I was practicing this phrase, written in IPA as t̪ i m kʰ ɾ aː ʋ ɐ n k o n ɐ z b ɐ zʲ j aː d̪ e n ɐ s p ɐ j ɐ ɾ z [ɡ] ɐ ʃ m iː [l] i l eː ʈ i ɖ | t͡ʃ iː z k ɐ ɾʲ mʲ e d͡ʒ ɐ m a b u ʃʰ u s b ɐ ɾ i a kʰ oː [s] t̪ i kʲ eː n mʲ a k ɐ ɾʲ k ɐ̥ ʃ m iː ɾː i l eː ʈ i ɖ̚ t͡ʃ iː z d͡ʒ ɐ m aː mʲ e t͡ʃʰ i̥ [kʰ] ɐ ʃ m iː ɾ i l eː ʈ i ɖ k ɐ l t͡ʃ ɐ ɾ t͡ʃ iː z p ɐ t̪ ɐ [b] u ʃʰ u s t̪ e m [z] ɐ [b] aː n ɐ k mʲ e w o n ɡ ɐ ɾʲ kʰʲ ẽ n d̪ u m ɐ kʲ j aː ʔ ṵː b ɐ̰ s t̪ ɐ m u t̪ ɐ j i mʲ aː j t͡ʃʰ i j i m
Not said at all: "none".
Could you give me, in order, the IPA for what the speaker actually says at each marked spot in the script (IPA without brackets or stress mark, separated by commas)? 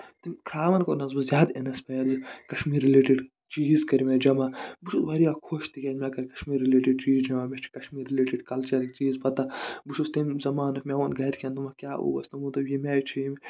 k, ɾ, ʃ, k, b, z, m